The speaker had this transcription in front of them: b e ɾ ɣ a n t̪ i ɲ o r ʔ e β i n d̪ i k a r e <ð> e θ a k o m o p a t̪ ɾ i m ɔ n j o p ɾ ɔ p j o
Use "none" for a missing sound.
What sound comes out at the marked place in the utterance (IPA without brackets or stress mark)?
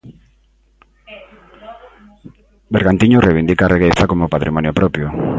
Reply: ɣ